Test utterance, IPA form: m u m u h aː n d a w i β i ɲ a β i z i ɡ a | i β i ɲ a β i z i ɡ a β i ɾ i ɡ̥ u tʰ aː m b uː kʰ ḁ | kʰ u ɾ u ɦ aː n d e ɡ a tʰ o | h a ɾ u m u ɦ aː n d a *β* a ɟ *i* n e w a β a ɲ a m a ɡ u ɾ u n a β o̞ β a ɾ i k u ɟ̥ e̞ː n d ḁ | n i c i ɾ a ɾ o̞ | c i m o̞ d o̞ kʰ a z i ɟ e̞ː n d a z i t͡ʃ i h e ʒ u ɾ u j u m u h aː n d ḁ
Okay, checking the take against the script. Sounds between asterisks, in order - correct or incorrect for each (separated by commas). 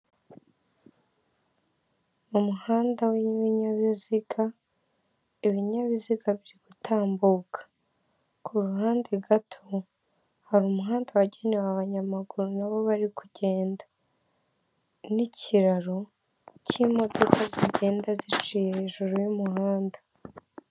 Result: incorrect, incorrect